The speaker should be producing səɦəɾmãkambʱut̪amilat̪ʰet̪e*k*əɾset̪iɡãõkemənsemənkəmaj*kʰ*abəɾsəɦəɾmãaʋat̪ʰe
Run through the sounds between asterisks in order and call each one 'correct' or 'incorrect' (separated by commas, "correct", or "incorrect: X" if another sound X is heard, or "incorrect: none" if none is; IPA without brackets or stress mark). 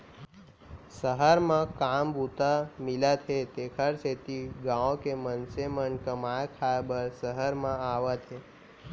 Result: incorrect: kʰ, correct